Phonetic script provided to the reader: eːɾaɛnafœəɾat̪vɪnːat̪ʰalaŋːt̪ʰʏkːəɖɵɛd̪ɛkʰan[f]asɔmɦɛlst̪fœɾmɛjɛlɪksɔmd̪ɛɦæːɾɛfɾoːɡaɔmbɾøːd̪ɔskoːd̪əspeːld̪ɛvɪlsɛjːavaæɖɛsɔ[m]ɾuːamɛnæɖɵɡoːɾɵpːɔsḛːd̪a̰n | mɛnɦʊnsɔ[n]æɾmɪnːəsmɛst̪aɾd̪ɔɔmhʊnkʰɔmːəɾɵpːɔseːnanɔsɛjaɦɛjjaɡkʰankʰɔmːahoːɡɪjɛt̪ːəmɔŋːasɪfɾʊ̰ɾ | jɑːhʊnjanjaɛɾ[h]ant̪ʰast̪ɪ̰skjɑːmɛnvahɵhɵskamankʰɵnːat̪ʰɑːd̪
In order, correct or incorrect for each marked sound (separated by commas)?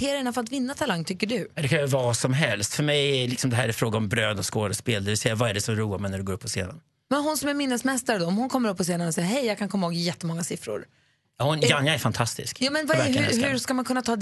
incorrect, correct, incorrect, incorrect